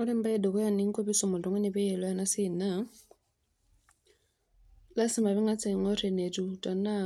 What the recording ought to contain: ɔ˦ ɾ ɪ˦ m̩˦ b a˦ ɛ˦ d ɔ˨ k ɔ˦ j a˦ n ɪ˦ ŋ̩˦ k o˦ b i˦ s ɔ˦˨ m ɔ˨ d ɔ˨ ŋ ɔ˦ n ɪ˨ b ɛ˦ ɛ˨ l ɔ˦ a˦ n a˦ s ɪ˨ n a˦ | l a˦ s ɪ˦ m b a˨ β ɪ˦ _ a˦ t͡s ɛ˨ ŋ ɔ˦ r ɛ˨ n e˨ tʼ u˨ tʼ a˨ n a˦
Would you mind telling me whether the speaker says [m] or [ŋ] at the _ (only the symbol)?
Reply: ŋ